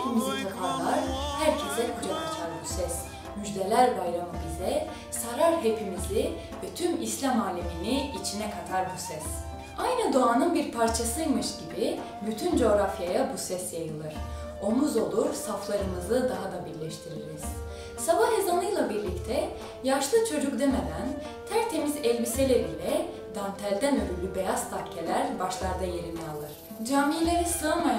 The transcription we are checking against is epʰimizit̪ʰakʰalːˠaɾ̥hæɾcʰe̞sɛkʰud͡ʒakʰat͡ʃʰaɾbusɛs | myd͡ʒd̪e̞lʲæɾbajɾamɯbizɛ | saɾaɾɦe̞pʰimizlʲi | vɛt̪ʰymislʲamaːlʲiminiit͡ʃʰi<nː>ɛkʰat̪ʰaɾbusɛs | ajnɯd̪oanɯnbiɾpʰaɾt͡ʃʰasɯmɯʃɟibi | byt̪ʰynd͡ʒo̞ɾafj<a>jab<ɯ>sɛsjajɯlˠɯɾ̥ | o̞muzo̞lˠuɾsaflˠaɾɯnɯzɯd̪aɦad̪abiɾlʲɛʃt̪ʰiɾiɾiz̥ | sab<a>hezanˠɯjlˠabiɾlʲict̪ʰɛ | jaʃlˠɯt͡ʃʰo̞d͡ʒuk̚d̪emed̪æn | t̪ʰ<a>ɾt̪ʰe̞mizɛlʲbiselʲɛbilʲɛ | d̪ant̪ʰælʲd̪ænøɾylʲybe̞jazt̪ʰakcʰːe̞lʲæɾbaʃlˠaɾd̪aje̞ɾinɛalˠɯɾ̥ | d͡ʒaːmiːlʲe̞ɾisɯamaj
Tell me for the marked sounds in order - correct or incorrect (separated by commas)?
incorrect, correct, incorrect, correct, incorrect